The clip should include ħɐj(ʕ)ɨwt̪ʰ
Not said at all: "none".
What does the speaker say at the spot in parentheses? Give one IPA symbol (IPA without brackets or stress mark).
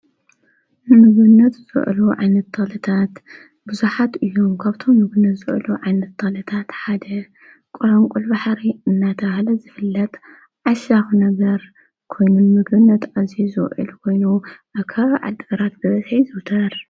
z